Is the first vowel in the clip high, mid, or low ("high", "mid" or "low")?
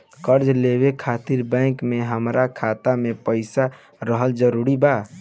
mid